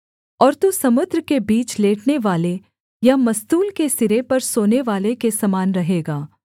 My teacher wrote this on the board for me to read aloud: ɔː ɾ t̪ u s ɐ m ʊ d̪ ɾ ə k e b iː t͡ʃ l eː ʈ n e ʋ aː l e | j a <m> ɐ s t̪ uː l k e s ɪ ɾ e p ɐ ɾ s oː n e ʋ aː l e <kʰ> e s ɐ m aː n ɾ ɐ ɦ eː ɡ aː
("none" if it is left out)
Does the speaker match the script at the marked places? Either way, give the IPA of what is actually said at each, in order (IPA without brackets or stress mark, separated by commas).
m, k